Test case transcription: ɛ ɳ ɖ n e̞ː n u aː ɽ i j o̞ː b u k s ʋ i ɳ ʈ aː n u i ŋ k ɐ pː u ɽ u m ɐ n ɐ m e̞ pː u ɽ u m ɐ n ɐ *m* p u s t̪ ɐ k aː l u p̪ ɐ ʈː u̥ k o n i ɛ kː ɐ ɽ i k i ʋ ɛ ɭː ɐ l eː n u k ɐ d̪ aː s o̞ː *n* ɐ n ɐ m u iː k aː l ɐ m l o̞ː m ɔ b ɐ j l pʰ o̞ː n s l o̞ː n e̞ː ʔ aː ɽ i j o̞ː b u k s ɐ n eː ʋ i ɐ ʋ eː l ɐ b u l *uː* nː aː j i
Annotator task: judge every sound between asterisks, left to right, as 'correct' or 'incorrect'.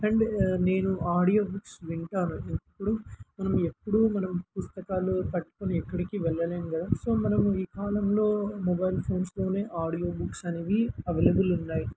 correct, incorrect, incorrect

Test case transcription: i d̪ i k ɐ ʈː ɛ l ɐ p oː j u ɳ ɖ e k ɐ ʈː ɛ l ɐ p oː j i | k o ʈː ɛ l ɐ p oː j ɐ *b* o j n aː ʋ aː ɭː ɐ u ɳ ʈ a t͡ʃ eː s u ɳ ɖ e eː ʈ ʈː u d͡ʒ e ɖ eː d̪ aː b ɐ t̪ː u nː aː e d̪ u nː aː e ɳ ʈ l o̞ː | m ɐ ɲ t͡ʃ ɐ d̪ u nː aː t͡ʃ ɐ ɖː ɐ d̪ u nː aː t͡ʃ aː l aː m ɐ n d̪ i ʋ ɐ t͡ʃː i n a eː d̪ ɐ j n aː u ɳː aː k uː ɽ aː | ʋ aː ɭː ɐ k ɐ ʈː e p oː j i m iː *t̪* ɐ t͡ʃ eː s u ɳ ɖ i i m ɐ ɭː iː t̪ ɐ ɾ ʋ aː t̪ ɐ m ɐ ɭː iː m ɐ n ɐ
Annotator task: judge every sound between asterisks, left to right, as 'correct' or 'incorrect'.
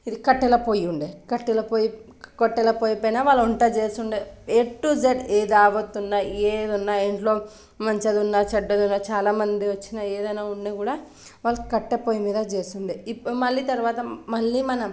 incorrect, incorrect

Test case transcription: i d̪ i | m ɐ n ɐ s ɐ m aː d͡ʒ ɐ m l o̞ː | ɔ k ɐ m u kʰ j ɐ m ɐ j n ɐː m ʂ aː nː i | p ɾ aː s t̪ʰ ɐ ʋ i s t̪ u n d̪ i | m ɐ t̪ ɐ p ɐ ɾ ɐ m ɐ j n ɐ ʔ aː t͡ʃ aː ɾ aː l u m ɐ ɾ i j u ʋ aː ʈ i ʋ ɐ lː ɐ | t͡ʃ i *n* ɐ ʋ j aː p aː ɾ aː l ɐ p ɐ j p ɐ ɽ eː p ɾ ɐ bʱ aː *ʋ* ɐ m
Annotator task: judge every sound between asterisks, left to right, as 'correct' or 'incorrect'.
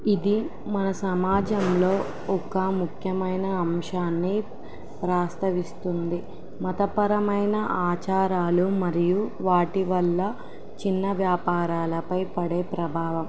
incorrect, correct

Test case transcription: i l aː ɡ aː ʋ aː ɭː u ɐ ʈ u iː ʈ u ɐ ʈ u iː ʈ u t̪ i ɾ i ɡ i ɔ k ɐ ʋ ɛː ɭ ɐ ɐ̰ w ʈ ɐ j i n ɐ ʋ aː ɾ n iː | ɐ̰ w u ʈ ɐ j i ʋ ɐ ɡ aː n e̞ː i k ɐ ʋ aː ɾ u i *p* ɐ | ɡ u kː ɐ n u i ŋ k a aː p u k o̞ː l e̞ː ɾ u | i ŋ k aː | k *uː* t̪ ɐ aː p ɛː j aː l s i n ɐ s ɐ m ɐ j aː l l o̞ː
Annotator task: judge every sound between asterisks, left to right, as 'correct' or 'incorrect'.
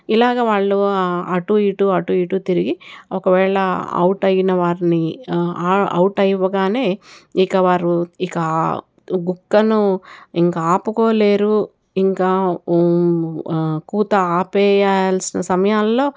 incorrect, correct

